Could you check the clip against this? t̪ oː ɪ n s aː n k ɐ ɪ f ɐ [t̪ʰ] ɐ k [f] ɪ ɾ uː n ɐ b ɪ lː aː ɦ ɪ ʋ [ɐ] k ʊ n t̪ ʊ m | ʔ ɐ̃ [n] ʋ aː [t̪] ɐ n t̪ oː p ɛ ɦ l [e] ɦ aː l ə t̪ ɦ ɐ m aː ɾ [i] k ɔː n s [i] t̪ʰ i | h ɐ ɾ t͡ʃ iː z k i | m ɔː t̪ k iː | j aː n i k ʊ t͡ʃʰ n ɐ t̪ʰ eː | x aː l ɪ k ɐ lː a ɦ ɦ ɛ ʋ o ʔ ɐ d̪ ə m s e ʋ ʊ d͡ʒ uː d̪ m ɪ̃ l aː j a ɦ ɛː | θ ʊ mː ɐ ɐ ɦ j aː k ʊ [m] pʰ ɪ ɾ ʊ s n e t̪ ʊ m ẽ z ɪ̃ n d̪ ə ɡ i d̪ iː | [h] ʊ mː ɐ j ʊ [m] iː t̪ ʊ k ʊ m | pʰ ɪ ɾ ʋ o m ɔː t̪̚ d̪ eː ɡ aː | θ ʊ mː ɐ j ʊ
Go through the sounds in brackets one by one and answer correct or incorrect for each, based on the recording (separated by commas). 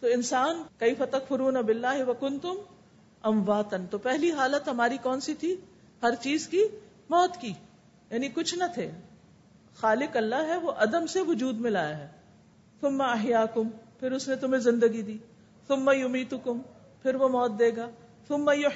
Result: incorrect, correct, correct, incorrect, correct, incorrect, correct, correct, correct, incorrect, correct